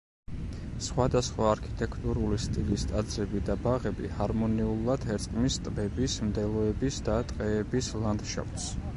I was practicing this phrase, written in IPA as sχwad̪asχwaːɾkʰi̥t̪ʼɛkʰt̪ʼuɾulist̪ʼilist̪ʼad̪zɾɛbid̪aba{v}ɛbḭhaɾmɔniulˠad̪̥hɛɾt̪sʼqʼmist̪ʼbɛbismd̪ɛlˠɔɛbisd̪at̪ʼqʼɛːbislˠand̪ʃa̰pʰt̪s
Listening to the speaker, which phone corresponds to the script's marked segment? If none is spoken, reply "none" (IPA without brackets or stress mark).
ʁ